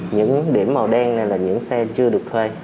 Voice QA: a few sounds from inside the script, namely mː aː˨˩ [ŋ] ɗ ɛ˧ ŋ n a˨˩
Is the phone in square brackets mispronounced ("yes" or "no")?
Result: yes